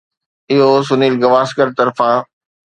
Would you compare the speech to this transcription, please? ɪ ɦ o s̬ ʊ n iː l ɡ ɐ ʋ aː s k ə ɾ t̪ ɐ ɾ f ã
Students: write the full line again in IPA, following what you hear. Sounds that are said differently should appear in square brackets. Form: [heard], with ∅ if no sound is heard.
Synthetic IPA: ɪ ɦ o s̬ ʊ n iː l ɡ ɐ ʋ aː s k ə ɾ t̪ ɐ ɾ f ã